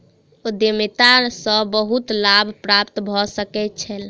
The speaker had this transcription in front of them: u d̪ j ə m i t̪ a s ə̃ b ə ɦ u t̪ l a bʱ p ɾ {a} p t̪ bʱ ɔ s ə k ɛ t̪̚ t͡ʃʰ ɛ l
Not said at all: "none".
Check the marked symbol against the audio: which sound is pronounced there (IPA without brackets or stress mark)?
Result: a